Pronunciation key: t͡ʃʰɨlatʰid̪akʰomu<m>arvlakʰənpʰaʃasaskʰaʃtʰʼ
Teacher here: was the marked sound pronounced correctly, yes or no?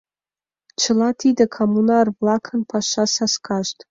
no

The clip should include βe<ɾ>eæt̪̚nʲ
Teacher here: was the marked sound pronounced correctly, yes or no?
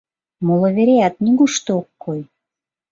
yes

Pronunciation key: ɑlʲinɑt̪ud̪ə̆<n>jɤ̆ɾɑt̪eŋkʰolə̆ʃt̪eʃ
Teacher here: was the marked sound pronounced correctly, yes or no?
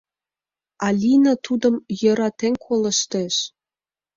no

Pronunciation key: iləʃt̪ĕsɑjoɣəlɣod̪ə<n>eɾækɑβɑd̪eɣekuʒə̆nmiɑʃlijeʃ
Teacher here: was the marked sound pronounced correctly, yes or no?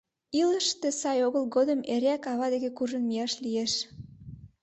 no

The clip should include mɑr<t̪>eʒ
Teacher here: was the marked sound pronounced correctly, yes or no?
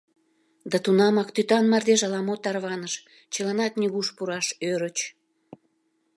no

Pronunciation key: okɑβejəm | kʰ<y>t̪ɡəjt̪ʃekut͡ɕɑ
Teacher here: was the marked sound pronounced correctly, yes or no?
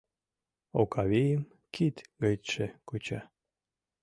no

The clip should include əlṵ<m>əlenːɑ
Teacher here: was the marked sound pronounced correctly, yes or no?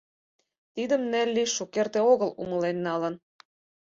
yes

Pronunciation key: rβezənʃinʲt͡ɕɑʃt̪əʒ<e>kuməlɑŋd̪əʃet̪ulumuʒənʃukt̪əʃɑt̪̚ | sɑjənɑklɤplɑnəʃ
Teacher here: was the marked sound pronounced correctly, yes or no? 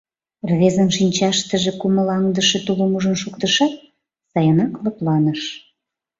yes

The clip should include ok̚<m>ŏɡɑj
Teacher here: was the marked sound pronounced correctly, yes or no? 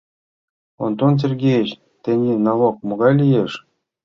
yes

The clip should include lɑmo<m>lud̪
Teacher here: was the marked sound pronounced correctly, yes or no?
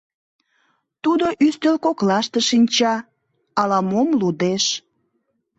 yes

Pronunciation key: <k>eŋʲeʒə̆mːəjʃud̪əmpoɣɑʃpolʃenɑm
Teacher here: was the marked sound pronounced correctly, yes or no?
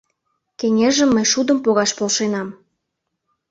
yes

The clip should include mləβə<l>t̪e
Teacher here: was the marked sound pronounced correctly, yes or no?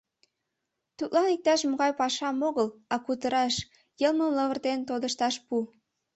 no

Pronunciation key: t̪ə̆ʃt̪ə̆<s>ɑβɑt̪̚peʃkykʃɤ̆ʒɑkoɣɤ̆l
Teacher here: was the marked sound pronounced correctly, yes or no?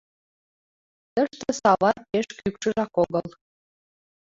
yes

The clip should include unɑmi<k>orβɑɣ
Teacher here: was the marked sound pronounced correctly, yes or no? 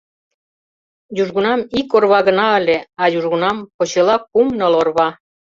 yes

